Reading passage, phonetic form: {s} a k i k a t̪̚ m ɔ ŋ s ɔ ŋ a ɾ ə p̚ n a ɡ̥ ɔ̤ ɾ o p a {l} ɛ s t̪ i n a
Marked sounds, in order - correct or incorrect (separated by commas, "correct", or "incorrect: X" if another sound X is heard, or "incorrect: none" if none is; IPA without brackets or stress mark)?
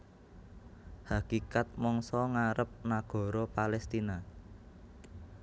incorrect: h, correct